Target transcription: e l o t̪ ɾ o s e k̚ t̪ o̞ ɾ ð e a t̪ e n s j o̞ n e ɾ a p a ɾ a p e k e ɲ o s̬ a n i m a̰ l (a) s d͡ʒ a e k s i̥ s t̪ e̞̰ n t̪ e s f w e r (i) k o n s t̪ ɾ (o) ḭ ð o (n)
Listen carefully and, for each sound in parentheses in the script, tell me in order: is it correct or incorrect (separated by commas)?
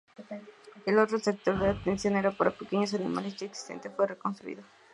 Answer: incorrect, incorrect, incorrect, incorrect